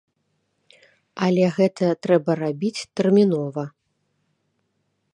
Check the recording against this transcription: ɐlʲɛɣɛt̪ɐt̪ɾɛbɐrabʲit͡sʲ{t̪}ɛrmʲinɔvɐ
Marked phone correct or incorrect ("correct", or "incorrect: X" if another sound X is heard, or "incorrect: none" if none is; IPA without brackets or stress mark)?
correct